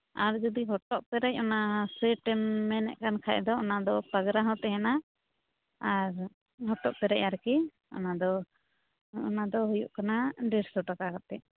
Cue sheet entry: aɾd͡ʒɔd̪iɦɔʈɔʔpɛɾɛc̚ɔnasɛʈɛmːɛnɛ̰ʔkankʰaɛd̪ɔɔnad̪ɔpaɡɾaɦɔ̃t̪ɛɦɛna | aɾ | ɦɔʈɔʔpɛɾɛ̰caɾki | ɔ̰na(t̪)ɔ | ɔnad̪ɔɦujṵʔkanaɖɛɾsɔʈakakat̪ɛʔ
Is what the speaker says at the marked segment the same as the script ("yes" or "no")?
no